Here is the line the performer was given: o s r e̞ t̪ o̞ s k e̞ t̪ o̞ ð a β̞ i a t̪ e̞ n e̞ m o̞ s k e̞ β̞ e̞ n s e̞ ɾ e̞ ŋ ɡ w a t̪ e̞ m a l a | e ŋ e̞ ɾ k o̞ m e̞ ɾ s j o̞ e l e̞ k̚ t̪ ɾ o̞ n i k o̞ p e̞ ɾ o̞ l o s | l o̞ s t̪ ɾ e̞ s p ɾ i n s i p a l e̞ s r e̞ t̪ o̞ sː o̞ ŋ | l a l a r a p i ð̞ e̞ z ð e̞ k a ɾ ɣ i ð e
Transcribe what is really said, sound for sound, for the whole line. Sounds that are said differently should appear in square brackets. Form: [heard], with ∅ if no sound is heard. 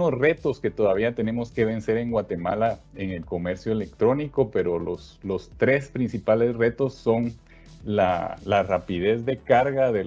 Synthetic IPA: o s r e̞ t̪ o̞ s k e̞ t̪ o̞ ð a β̞ i a t̪ e̞ n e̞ m o̞ s k e̞ β̞ e̞ n s e̞ ɾ e̞ ŋ ɡ w a t̪ e̞ m a l a | e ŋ e̞ [l] k o̞ m e̞ ɾ s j o̞ e l e̞ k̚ t̪ ɾ o̞ n i k o̞ p e̞ ɾ o̞ l o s | l o̞ s t̪ ɾ e̞ s p ɾ i n s i p a l e̞ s r e̞ t̪ o̞ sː o̞ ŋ | l a l a r a p i ð̞ e̞ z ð e̞ k a ɾ ɣ [a] ð e